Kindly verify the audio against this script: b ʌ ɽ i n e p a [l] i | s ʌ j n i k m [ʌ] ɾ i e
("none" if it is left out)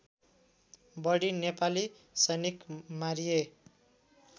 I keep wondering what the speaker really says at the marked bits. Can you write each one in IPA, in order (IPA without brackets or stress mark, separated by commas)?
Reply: l, a